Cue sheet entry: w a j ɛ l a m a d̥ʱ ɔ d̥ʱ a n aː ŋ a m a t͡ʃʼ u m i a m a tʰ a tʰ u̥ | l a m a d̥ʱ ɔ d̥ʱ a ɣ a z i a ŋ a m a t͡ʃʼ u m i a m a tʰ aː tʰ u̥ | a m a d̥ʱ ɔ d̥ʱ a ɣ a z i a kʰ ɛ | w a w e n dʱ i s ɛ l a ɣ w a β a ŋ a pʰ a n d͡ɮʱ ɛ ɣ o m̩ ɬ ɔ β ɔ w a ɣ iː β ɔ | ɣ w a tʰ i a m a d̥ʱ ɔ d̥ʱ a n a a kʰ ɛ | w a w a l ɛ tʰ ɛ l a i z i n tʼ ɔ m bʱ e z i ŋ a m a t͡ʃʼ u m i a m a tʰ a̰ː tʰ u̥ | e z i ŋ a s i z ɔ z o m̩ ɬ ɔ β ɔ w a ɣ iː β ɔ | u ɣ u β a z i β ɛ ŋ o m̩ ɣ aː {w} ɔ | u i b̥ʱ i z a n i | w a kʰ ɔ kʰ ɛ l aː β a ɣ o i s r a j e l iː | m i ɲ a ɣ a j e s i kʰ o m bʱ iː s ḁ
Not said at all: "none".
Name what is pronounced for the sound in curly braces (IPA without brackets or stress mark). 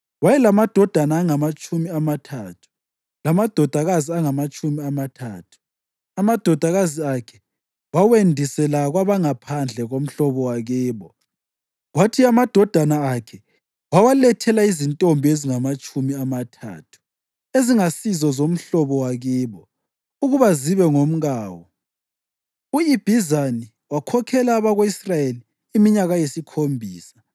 w